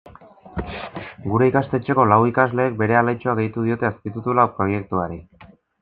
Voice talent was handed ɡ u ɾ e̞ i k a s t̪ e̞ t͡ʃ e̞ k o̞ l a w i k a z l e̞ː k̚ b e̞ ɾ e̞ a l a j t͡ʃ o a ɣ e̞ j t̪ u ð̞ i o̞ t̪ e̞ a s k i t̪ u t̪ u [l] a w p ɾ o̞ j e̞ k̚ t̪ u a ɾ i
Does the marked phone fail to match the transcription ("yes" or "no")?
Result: no